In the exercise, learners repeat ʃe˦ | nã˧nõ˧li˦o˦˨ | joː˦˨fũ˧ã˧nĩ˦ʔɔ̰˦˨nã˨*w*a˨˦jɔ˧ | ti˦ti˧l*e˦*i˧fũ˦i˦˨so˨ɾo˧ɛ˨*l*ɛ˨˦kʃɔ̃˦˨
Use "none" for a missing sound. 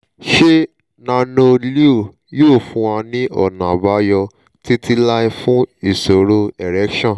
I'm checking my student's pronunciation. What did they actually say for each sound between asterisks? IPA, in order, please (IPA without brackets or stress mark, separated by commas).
b, a˦, ɾ